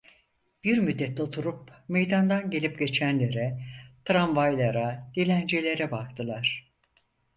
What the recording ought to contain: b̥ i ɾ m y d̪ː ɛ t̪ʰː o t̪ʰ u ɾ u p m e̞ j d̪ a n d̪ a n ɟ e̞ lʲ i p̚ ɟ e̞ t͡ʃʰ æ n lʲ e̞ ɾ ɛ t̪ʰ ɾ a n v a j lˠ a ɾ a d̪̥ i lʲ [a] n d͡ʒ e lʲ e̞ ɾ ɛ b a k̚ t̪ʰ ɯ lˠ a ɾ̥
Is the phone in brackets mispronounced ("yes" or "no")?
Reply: yes